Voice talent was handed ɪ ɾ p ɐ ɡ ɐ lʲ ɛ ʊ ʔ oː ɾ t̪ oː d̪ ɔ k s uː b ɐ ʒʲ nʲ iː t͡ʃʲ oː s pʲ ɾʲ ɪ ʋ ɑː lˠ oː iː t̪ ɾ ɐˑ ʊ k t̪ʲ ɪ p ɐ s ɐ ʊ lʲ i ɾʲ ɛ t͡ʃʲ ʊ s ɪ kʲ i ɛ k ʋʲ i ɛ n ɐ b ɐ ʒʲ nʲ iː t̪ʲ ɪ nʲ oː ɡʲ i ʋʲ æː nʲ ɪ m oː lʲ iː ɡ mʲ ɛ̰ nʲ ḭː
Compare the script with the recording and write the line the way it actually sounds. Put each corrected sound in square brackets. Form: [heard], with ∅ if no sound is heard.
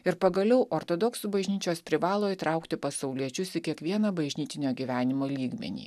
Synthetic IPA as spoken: ɪ ɾ p ɐ ɡ ɐ lʲ ɛ ʊ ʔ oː ɾ t̪ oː d̪ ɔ k s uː b ɐ ʒʲ nʲ iː t͡ʃʲ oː s pʲ ɾʲ ɪ ʋ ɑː lˠ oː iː t̪ ɾ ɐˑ ʊ k t̪ʲ ɪ p ɐ s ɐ ʊ lʲ i [∅] ɛ t͡ʃʲ ʊ s ɪ kʲ i ɛ k ʋʲ i ɛ n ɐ b ɐ ʒʲ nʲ iː t̪ʲ ɪ nʲ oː ɡʲ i ʋʲ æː nʲ ɪ m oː lʲ iː ɡ mʲ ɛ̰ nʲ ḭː

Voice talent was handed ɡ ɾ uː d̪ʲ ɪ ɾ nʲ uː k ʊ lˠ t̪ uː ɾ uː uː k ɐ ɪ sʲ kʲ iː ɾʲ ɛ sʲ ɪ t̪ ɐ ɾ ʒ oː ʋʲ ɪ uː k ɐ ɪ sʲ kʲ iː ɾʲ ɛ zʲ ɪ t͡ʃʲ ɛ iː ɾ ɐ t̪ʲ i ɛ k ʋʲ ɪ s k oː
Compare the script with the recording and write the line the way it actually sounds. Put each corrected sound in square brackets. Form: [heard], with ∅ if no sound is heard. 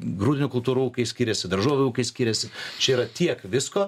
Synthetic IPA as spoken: ɡ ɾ uː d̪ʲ ɪ [∅] nʲ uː k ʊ lˠ t̪ uː ɾ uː uː k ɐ ɪ sʲ kʲ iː ɾʲ ɛ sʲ ɪ [d̪] ɐ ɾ ʒ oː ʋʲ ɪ uː k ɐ ɪ sʲ kʲ iː ɾʲ ɛ [sʲ] ɪ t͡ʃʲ ɛ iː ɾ ɐ t̪ʲ i ɛ k ʋʲ ɪ s k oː

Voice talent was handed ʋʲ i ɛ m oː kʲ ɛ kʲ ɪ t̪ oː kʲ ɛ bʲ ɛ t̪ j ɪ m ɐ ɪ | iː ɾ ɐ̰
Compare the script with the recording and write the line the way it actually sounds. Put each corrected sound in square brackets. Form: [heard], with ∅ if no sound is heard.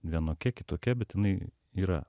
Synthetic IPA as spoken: ʋʲ i ɛ [n] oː kʲ ɛ kʲ ɪ t̪ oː kʲ ɛ bʲ ɛ t̪ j ɪ [n] ɐ ɪ | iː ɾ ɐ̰

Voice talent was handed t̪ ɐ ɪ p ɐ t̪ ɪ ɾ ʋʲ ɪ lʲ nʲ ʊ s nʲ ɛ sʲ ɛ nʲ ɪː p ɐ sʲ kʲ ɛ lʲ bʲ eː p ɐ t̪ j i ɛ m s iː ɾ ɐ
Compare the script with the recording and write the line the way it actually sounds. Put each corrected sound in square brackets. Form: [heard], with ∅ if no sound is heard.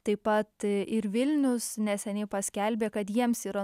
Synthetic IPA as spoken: t̪ ɐ ɪ p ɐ t̪ ɪ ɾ ʋʲ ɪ lʲ nʲ ʊ s nʲ ɛ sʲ ɛ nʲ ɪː p ɐ sʲ kʲ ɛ lʲ bʲ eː [k] ɐ t̪ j i ɛ m s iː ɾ ɐ

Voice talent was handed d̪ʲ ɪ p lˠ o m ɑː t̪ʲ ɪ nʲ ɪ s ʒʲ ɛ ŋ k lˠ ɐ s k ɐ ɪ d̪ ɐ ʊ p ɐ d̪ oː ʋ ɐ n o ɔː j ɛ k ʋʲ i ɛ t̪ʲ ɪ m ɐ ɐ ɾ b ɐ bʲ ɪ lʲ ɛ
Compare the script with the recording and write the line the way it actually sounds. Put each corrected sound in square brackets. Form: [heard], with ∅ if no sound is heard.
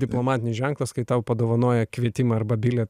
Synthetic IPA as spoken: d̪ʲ ɪ p lˠ o m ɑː t̪ʲ ɪ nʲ ɪ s ʒʲ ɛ ŋ k lˠ ɐ s k ɐ ɪ [t̪] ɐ ʊ p ɐ d̪ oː ʋ ɐ n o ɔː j ɛ k ʋʲ i ɛ t̪ʲ ɪ m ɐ ɐ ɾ b ɐ bʲ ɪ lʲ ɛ

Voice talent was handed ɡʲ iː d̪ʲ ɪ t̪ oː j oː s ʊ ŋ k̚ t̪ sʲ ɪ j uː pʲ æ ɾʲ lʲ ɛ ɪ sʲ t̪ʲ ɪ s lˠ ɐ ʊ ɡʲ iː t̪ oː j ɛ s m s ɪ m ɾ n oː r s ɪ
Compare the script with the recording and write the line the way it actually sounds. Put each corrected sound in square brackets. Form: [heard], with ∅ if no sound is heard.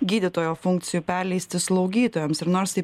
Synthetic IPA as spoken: ɡʲ iː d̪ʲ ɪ t̪ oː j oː [f] ʊ ŋ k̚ t̪ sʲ ɪ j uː pʲ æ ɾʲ lʲ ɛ ɪ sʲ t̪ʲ ɪ s lˠ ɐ ʊ ɡʲ iː t̪ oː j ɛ [∅] m s ɪ [∅] ɾ n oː [ɾ] s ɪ

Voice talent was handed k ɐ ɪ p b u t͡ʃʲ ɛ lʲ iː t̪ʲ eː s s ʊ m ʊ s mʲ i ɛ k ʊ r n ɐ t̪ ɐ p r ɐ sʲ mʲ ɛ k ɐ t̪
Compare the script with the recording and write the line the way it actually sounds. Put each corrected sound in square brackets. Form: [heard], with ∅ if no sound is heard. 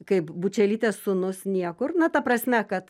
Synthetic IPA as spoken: k ɐ ɪ p b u t͡ʃʲ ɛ lʲ iː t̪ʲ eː s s ʊ [n] ʊ s [nʲ] i ɛ k ʊ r n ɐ t̪ ɐ p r ɐ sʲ mʲ ɛ k ɐ t̪

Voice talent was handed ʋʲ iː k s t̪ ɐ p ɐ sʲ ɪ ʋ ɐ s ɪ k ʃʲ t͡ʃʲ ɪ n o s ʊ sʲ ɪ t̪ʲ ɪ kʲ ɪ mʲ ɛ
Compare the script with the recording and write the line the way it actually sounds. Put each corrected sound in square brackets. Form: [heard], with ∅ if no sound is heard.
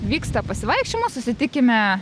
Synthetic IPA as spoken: ʋʲ iː k s t̪ ɐ p ɐ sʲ ɪ ʋ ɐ [∅] ɪ k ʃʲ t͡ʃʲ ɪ [m] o s ʊ sʲ ɪ t̪ʲ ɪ kʲ ɪ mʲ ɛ

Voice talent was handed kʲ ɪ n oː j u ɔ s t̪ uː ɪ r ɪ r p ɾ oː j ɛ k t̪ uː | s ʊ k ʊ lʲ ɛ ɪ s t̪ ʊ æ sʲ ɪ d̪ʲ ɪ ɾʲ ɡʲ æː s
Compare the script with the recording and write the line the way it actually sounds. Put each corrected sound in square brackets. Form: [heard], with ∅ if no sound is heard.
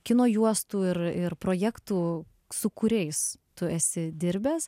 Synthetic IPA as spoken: kʲ ɪ n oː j u ɔ s t̪ uː ɪ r ɪ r p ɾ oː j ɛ k t̪ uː | s ʊ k ʊ [ɾʲ] ɛ ɪ s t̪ ʊ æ sʲ ɪ d̪ʲ ɪ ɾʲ [bʲ] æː s

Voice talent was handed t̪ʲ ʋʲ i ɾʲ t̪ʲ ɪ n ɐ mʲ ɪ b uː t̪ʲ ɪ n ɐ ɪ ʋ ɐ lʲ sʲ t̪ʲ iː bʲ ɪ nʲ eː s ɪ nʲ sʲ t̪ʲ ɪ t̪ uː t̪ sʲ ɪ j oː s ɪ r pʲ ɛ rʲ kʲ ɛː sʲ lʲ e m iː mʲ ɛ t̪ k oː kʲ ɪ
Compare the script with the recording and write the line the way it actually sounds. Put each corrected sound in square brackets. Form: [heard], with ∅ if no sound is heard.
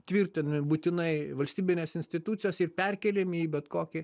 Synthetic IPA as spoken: t̪ʲ ʋʲ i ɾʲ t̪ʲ ɪ n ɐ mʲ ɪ b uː t̪ʲ ɪ n ɐ ɪ ʋ ɐ lʲ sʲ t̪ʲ iː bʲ ɪ nʲ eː s ɪ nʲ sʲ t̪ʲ ɪ t̪ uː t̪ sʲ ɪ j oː s ɪ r pʲ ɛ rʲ kʲ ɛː [∅] lʲ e m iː [bʲ] ɛ t̪ k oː kʲ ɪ

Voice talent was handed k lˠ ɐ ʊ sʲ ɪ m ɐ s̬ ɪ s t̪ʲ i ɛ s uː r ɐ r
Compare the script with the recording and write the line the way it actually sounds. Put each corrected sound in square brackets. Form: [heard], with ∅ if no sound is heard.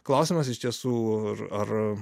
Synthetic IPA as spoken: k lˠ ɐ ʊ sʲ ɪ m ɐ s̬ ɪ [ʃ] t̪ʲ i ɛ s uː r ɐ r

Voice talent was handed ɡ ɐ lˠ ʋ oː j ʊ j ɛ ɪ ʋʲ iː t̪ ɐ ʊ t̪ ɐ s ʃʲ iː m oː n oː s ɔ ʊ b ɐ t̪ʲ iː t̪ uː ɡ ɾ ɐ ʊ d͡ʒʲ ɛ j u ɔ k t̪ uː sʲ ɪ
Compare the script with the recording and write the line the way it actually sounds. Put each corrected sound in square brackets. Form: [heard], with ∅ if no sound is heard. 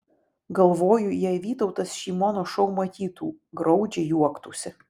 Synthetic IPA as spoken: ɡ ɐ lˠ ʋ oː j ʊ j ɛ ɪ ʋʲ iː t̪ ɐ ʊ t̪ ɐ s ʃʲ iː m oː n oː [ʃ] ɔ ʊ [m] ɐ t̪ʲ iː t̪ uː ɡ ɾ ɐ ʊ d͡ʒʲ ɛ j u ɔ k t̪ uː sʲ ɪ

